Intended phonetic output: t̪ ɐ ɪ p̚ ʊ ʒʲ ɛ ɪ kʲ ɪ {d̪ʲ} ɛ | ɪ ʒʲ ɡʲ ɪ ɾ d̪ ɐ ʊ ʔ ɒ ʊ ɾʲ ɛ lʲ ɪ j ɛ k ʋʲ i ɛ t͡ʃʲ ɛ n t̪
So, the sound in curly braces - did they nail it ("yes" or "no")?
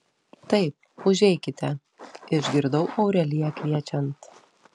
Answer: no